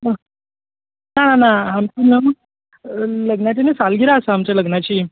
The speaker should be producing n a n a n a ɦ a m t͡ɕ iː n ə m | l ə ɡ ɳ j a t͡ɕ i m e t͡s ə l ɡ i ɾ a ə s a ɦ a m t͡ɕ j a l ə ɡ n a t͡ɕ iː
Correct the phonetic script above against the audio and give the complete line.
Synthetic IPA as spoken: n a n a n a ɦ a m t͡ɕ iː n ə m | l ə ɡ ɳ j a t͡ɕ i n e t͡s a l ɡ i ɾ a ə s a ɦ a m t͡ɕ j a l ə ɡ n a t͡ɕ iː